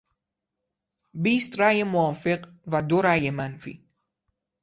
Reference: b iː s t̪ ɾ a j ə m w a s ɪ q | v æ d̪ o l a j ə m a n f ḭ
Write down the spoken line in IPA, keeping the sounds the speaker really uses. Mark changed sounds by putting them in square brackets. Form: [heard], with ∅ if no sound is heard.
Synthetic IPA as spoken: b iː s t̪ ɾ a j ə m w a [f] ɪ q | v [a] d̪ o [ɾ] a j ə m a n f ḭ